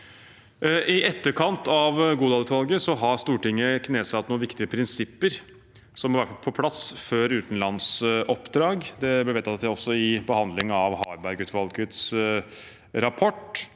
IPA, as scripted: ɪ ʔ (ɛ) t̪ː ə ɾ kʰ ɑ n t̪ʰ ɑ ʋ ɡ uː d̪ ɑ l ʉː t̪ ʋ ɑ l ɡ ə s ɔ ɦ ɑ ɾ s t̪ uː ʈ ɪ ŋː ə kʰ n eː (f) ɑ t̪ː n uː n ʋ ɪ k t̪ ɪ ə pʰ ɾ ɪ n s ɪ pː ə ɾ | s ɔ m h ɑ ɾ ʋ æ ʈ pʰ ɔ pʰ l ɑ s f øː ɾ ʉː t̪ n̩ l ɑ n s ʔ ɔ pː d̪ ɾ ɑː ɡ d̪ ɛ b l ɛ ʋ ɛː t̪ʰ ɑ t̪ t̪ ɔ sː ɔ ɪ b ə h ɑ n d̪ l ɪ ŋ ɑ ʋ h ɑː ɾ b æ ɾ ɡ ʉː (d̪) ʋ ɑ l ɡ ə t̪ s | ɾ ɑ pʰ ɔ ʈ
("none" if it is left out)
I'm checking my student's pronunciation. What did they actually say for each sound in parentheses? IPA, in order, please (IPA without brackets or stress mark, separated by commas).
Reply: ɛ, s, t̪